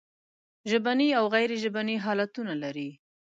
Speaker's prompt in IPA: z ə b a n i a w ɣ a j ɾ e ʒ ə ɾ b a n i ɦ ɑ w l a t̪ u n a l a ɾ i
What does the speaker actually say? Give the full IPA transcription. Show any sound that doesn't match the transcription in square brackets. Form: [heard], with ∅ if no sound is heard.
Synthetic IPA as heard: [ʒ] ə b a n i a w ɣ a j ɾ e ʒ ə [∅] b a n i ɦ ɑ [∅] l a t̪ u n a l a ɾ i